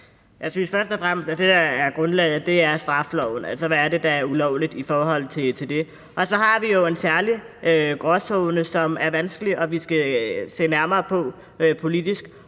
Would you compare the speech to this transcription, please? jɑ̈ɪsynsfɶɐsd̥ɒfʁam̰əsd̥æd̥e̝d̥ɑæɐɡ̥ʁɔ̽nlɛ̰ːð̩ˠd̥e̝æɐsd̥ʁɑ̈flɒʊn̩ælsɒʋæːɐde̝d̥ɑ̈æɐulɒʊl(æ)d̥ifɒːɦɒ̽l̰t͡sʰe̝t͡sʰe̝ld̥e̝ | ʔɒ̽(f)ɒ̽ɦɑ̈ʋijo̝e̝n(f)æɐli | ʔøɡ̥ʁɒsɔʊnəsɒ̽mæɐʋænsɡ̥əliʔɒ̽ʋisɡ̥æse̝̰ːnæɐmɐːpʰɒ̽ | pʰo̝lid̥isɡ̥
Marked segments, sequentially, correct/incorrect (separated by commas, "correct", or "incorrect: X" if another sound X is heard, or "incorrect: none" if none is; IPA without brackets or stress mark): incorrect: i, incorrect: s, incorrect: s